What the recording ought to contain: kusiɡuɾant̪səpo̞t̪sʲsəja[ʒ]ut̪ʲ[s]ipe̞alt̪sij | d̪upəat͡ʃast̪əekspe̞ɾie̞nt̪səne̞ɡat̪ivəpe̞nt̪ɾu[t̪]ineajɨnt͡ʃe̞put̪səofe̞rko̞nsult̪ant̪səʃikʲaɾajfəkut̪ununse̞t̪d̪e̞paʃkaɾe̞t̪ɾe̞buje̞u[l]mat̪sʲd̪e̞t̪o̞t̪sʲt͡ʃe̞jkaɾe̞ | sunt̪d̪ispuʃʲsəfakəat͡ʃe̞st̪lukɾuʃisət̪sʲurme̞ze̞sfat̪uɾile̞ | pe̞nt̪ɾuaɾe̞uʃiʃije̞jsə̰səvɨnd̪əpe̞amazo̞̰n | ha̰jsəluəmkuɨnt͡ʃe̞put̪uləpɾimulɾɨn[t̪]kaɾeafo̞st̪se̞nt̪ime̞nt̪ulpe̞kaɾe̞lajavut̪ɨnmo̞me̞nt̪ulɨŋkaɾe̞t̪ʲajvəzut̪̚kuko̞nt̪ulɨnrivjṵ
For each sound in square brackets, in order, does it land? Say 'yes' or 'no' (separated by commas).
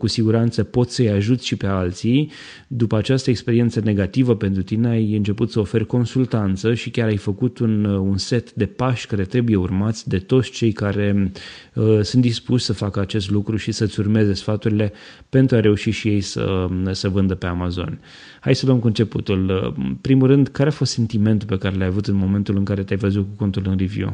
yes, no, yes, no, no